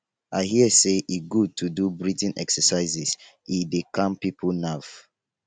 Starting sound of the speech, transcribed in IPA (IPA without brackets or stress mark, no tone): a